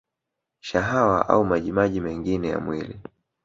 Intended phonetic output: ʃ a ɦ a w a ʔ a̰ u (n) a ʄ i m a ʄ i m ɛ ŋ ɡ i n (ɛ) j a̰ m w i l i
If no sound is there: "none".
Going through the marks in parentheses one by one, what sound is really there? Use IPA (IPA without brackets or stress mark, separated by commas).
m, ɛ